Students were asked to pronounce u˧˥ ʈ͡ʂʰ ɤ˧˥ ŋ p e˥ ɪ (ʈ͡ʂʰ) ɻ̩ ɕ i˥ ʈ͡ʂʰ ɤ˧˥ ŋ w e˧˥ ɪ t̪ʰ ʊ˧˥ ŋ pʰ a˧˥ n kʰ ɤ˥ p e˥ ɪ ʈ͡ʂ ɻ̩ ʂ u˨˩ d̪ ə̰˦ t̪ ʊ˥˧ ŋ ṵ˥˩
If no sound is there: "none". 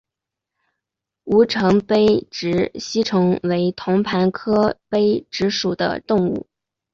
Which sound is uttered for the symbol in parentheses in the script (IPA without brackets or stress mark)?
ʈ͡ʂ